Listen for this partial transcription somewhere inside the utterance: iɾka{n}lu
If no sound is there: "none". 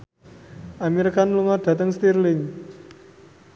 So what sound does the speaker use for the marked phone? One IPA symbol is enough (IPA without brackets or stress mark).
n